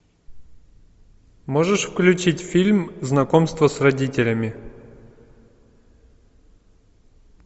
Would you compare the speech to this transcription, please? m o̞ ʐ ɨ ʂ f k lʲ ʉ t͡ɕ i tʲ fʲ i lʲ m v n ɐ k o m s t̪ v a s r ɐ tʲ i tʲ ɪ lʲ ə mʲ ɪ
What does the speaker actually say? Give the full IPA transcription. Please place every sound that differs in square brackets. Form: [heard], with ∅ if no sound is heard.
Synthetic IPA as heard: m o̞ ʐ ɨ ʂ f k lʲ ʉ t͡ɕ i tʲ fʲ i lʲ m [z] n ɐ k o m s t̪ v [ə] s r ɐ [dʲ] i tʲ ɪ lʲ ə mʲ ɪ